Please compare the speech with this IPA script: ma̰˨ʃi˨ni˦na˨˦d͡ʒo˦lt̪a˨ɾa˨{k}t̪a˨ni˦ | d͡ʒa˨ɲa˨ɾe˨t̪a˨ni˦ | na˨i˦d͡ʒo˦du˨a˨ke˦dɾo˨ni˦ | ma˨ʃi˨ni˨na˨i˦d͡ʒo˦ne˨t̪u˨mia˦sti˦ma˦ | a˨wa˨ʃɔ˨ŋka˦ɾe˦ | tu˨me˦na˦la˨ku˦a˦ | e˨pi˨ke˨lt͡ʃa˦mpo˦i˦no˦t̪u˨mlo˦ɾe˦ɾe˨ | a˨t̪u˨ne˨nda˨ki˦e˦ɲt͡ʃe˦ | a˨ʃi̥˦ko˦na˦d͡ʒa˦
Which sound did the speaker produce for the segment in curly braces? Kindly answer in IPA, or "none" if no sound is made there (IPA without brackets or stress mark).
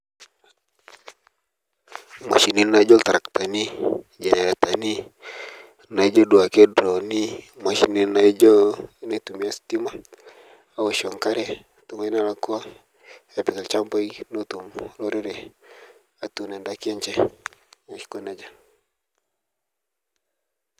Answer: k